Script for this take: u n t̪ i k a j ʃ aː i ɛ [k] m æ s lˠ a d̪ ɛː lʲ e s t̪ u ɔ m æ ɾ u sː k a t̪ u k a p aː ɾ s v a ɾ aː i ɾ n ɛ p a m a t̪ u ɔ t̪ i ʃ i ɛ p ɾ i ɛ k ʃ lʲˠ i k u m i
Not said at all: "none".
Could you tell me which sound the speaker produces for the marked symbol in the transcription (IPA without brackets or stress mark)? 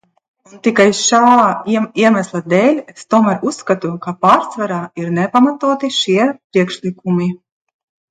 none